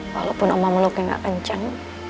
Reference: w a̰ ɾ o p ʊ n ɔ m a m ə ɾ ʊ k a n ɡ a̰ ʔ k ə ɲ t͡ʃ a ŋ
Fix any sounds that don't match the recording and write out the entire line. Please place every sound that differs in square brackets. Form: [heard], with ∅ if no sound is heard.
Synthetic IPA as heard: w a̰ [l] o p ʊ n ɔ m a m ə [l] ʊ k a [ŋ] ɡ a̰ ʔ k ə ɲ t͡ʃ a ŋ